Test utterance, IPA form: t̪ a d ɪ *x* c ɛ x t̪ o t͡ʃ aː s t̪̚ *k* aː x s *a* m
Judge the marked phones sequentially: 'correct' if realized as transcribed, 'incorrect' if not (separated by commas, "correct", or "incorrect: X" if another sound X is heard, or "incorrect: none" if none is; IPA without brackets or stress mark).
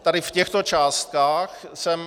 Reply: incorrect: f, correct, incorrect: ɛ